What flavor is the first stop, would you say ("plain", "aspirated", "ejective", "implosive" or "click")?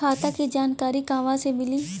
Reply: plain